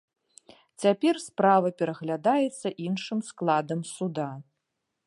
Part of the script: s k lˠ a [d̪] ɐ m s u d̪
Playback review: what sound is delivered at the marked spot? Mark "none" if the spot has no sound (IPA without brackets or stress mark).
d̪